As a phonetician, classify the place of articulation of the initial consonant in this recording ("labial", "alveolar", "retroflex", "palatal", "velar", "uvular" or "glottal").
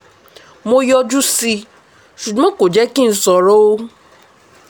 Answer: labial